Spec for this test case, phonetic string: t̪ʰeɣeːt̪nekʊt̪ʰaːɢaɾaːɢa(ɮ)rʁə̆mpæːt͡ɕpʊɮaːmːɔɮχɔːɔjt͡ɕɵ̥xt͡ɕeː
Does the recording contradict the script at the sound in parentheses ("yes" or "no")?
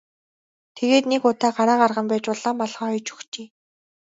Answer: yes